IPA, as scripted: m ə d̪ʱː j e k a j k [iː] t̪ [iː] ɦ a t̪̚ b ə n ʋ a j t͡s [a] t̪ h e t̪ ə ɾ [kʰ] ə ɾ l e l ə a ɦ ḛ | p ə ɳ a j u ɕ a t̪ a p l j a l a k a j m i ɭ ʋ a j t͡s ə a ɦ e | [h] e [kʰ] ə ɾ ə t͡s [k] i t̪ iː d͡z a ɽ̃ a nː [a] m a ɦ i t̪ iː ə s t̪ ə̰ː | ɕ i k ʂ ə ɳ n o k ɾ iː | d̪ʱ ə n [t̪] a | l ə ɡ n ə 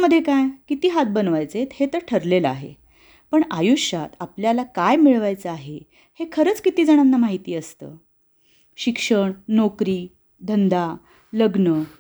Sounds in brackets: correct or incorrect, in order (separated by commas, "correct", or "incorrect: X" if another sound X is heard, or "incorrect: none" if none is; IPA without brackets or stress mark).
incorrect: i, correct, incorrect: e, incorrect: ʈʰ, correct, correct, correct, correct, incorrect: d̪